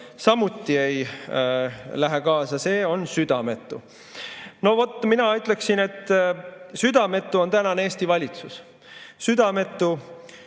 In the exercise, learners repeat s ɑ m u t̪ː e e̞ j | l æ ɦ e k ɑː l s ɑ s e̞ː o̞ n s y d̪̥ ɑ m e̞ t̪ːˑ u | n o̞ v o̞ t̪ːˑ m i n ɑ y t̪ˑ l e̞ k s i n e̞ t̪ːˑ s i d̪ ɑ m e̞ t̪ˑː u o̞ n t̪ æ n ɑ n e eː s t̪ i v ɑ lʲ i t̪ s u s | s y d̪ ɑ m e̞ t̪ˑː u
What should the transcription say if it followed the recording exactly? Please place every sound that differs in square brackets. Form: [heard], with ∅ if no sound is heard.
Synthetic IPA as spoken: s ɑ m u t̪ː [i] e̞ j | l æ ɦ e k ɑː [∅] s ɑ s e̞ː o̞ n s y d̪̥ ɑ m e̞ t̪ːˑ u | n o̞ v o̞ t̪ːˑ m i n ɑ y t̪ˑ l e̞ k s i n e̞ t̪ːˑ s [y] d̪ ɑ m e̞ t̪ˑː u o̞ n t̪ æ n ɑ n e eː s t̪ i v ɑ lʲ i t̪ s u s | s y d̪ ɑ m e̞ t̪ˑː u